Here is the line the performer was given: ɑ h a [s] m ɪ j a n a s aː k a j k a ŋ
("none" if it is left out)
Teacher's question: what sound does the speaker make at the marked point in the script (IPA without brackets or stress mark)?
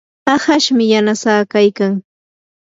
ʃ